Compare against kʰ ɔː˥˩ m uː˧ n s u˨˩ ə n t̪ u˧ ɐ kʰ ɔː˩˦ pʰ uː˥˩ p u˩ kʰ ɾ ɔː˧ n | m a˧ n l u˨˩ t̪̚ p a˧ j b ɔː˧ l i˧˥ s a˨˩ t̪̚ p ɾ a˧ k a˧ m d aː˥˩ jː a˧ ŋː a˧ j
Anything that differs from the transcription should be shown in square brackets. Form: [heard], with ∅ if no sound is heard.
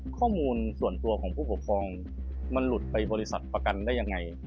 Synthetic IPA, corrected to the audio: kʰ ɔː˥˩ m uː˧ n s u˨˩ ə n t̪ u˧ ɐ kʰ ɔː˩˦ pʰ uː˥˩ p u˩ kʰ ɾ ɔː˧ [ŋ] | m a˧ n l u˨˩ t̪̚ p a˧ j b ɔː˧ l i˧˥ s a˨˩ t̪̚ p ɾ a˧ k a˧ [n] d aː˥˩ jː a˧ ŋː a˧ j